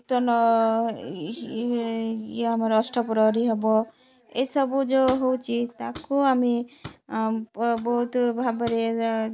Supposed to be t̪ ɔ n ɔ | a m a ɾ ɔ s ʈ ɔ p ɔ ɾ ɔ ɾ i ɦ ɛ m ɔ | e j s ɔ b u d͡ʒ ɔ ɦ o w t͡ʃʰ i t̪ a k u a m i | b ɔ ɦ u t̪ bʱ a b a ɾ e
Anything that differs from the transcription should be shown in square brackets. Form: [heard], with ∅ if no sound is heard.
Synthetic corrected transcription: t̪ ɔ n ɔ | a m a ɾ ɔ s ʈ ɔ p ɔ ɾ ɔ ɾ i ɦ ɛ [b] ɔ | e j s ɔ b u d͡ʒ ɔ ɦ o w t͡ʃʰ i t̪ a k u a m i | b ɔ ɦ u t̪ bʱ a b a ɾ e